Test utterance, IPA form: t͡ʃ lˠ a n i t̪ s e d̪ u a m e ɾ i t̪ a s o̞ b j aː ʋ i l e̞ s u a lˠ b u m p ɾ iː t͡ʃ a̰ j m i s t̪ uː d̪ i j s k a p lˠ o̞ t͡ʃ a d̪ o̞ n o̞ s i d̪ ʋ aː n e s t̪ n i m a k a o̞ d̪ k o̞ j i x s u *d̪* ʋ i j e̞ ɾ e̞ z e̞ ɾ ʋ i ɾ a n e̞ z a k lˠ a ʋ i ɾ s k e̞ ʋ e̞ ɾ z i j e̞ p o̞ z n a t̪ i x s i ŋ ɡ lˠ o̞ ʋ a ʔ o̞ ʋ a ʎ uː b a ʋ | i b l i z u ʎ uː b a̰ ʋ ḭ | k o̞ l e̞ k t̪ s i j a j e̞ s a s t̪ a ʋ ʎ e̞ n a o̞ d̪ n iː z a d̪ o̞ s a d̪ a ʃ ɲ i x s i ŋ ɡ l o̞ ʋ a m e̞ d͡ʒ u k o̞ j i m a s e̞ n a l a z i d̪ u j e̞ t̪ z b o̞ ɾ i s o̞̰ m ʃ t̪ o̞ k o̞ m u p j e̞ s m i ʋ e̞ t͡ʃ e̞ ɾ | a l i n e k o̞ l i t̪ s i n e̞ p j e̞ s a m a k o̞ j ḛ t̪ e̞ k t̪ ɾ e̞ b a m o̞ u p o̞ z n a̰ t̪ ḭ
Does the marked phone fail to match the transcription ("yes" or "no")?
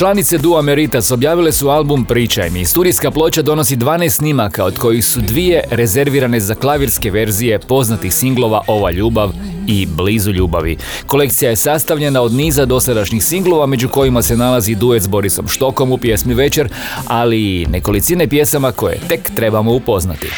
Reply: no